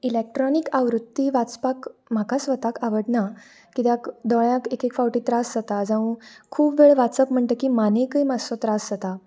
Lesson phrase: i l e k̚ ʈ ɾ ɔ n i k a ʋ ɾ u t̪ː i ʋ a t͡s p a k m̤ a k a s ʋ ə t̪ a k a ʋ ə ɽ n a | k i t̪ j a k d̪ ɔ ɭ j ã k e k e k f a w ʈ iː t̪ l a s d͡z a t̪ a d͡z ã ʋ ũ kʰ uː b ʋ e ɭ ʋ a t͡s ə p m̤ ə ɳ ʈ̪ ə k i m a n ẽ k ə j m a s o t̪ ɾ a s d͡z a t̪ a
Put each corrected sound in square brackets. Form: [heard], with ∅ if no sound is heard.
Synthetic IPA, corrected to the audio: i l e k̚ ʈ ɾ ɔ n i k a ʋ ɾ u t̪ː i ʋ a t͡s p a k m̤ a k a s ʋ ə t̪ a k a ʋ ə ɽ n a | k i t̪ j a k d̪ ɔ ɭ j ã k e k e k f a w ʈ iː t̪ [ɾ] a s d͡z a t̪ a d͡z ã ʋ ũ kʰ uː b ʋ e ɭ ʋ a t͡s ə p m̤ ə ɳ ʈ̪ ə k i m a n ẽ k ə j m a s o t̪ ɾ a s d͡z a t̪ a